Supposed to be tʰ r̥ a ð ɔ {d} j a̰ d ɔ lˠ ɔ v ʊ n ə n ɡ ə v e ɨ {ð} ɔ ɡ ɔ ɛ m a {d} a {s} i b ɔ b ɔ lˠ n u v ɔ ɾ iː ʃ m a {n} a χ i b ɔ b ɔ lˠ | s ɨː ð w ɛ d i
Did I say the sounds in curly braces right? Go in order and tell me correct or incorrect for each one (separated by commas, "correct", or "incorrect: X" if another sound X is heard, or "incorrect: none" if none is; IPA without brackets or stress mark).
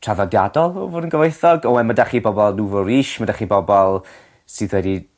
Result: correct, incorrect: θ, correct, incorrect: χ, incorrect: d